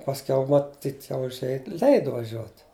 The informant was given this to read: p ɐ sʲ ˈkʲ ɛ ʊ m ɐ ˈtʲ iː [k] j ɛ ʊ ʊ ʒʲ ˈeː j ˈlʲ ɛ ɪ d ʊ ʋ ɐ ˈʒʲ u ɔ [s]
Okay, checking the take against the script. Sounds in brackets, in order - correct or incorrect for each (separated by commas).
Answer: incorrect, incorrect